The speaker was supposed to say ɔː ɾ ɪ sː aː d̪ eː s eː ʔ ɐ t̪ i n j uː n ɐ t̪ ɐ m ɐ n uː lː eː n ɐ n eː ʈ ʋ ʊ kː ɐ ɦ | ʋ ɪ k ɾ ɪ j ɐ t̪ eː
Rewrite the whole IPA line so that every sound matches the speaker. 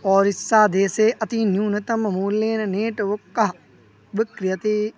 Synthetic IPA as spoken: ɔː ɾ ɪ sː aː d̪ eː s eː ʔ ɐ t̪ i n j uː n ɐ t̪ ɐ m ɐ m uː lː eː n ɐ n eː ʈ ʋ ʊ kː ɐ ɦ | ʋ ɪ k ɾ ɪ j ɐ t̪ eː